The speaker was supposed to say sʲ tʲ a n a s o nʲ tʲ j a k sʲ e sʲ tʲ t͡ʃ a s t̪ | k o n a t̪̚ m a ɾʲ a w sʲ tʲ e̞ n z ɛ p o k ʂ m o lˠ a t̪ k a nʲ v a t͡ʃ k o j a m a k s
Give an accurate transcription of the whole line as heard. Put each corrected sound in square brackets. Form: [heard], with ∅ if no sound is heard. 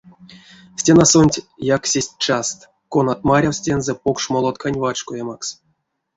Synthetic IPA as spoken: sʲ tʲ [e] n a s o nʲ tʲ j a k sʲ e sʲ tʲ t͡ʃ a s t̪ | k o n a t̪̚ m a ɾʲ a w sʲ tʲ e̞ n z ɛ p o k ʂ m o lˠ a t̪ k a nʲ v a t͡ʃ k o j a m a k s